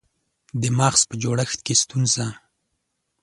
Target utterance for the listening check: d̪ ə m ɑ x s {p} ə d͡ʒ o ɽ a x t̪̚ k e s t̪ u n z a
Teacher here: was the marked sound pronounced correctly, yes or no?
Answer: yes